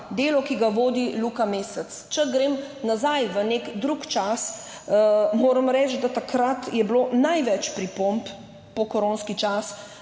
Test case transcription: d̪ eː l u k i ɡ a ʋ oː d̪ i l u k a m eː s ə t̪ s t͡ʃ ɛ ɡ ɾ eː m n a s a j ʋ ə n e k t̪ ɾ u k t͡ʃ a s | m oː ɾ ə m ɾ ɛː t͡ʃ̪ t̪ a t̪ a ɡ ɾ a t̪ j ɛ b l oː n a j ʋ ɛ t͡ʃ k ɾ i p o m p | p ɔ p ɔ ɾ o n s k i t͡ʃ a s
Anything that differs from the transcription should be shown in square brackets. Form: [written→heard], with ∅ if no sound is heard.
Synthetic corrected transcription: d̪ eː l [u→ɔ] k i ɡ a ʋ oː d̪ i l u k a m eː s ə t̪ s t͡ʃ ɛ ɡ ɾ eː m n a [s→z] a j ʋ ə n e k [t̪→d̪] ɾ u k t͡ʃ a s | m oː ɾ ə m ɾ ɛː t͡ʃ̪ [t̪→d̪] a t̪ a [ɡ→k] ɾ a t̪ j ɛ b l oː n a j ʋ ɛ t͡ʃ [k→p] ɾ i p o m p | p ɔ [p→k] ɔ ɾ o n s k i t͡ʃ a s